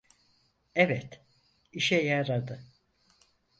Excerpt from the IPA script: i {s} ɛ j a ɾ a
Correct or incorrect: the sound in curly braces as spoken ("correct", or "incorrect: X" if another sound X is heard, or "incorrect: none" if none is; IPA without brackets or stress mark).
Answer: incorrect: ʃ